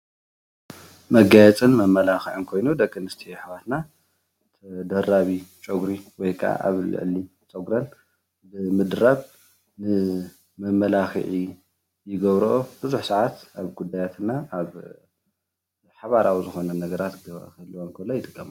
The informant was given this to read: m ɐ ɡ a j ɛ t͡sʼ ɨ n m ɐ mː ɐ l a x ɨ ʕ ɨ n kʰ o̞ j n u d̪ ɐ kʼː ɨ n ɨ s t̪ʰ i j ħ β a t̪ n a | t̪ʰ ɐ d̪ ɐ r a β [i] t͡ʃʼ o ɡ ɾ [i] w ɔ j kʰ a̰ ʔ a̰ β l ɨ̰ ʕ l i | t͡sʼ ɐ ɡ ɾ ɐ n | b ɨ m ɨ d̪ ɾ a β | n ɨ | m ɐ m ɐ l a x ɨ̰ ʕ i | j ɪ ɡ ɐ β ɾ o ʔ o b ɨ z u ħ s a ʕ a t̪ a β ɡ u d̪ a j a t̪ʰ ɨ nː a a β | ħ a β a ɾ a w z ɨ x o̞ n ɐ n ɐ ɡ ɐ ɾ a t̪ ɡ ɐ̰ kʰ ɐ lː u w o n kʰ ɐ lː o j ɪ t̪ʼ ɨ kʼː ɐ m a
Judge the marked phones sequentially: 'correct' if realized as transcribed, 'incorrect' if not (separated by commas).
correct, correct